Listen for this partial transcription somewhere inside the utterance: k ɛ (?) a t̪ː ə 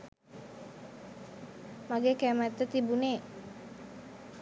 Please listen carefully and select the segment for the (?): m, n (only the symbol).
m